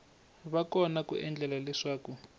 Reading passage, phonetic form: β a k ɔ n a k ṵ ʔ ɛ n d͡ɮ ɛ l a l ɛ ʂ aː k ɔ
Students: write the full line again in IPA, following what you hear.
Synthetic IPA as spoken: β a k ɔ n a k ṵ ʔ ɛ n d͡ɮ ɛ l a l ɛ ʂ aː k u